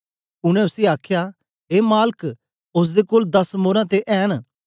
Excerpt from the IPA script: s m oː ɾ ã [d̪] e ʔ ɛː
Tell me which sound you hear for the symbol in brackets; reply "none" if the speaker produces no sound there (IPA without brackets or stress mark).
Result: t̪